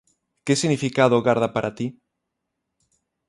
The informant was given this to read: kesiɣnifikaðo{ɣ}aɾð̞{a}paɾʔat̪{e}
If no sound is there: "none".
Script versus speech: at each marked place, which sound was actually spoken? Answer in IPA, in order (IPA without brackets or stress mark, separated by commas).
ɣ, a, i